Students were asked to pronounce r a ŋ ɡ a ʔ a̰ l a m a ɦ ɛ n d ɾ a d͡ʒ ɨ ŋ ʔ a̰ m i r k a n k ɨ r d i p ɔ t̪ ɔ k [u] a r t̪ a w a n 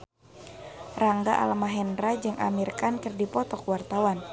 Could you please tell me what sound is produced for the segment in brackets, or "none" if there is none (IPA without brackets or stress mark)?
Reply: w